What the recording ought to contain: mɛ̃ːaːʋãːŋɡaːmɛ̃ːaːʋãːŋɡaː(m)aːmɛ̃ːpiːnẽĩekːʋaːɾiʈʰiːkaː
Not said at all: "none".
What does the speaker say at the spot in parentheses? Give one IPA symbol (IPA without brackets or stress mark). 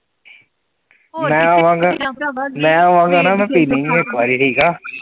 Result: n